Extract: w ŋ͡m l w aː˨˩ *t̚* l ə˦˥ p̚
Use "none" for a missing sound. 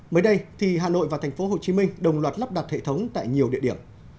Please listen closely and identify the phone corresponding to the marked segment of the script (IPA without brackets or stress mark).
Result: t̚